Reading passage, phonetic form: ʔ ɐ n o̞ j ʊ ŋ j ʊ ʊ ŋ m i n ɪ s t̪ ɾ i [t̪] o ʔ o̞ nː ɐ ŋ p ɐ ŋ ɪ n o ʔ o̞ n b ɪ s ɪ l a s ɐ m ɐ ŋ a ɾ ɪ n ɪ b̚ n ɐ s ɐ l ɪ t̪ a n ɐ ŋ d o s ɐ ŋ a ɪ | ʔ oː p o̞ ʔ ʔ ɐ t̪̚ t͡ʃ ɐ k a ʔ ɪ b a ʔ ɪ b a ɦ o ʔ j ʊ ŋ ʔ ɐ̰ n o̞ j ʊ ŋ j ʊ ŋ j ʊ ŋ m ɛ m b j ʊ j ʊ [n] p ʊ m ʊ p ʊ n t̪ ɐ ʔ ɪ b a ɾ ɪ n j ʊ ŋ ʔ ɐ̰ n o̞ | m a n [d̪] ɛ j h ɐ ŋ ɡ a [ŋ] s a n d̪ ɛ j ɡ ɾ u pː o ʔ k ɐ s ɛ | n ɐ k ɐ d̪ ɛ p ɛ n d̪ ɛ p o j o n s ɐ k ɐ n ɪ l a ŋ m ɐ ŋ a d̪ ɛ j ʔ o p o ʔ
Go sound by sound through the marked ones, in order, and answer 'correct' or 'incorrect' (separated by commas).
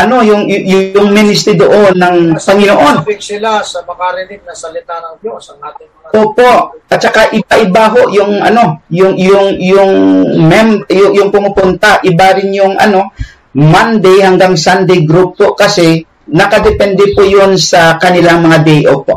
incorrect, incorrect, correct, correct